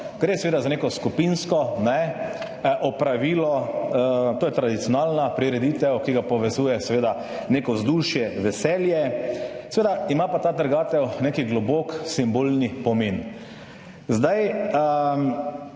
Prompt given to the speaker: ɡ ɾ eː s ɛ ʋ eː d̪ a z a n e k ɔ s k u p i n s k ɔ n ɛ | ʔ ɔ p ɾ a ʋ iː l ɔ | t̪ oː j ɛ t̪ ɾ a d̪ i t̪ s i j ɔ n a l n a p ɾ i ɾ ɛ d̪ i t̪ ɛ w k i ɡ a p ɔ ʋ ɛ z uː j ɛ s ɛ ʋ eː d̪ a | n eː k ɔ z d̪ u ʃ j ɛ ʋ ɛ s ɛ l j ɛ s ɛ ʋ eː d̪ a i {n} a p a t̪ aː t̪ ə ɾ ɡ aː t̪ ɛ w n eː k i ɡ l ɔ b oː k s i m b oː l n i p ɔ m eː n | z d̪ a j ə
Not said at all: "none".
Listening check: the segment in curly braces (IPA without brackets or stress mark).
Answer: m